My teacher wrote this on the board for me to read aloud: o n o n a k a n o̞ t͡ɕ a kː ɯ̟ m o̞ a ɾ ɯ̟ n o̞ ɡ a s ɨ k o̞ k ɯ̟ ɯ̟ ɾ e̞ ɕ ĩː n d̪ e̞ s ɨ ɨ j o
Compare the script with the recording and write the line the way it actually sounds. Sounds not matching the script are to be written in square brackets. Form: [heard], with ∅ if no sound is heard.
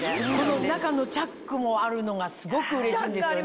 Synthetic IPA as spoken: o n o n a k a n o̞ t͡ɕ a kː ɯ̟ m o̞ a ɾ ɯ̟ n o̞ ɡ a s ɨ [ɡ] o̞ k ɯ̟ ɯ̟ ɾ e̞ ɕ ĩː n d̪ e̞ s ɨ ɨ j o

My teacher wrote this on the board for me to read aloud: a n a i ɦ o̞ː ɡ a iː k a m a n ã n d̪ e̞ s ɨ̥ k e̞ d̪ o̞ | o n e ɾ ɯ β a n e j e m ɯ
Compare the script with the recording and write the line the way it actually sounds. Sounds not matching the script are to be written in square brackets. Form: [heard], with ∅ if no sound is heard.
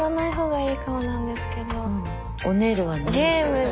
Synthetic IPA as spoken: a n a i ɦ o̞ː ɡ a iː k a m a n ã n d̪ e̞ s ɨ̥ k e̞ d̪ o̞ | o n e ɾ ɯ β a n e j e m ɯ

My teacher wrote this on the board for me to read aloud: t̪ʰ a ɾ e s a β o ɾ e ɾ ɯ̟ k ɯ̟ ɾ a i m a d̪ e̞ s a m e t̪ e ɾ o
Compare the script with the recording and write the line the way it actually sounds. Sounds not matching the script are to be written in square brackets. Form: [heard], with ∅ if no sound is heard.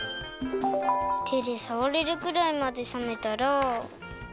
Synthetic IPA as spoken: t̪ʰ [e] ɾ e s a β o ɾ e ɾ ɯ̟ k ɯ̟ ɾ a i m a d̪ e̞ s a m e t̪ [a] ɾ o

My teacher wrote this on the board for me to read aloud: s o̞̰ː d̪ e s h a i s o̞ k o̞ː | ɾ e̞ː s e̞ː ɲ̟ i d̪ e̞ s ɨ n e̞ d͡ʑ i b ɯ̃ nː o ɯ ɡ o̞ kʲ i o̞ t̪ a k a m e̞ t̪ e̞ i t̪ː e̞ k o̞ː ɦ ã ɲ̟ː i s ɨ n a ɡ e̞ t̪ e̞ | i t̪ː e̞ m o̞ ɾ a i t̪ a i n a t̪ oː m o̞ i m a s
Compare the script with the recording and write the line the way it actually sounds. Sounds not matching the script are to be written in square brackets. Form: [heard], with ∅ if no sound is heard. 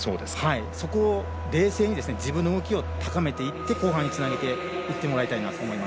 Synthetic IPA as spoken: s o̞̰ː d̪ e s h a i s o̞ k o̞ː | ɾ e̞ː s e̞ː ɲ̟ i d̪ e̞ s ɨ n e̞ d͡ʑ i b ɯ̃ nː o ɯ ɡ o̞ kʲ i o̞ t̪ a k a m e̞ t̪ e̞ i t̪ː e̞ k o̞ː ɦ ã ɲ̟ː i [t͡s] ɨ n a ɡ e̞ t̪ e̞ | i t̪ː e̞ m o̞ ɾ a i t̪ a i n a t̪ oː m o̞ i m a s

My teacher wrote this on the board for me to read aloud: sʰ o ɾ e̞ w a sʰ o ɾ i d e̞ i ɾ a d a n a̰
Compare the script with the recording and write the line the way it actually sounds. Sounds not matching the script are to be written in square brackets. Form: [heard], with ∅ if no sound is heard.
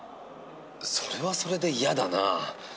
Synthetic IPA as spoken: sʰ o ɾ e̞ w a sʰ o ɾ [e] d e̞ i [∅] a d a n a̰

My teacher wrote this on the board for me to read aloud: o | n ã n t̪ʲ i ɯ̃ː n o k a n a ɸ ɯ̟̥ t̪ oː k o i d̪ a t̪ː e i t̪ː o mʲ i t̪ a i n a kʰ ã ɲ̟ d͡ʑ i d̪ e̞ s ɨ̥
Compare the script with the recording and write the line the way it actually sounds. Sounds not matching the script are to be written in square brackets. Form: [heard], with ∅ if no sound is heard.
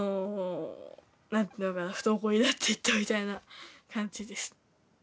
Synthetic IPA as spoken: o | n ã n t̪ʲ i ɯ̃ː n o k a n a ɸ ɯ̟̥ t̪ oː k o i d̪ a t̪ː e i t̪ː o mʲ i t̪ a i n a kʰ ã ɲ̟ d͡ʑ i d̪ e̞ s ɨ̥

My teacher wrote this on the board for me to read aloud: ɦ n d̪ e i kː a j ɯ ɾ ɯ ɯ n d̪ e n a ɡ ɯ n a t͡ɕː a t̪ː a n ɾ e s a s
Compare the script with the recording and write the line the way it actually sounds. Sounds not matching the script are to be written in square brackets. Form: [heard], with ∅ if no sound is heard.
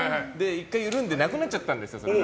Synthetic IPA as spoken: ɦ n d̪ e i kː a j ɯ ɾ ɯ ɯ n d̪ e n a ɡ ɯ n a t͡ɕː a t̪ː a n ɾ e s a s

